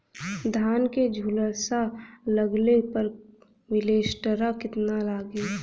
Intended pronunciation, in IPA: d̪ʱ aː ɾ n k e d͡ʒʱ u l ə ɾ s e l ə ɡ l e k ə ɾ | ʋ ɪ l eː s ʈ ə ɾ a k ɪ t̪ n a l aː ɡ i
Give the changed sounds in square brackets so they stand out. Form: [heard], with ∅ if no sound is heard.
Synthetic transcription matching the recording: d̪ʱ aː [∅] n k e d͡ʒʱ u l ə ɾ s [a] l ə ɡ l e [p] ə ɾ | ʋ ɪ l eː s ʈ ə ɾ a k ɪ t̪ n a l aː ɡ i